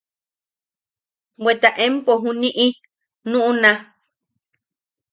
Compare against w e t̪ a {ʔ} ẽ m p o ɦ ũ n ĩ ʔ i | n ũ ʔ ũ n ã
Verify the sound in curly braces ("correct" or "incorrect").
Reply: correct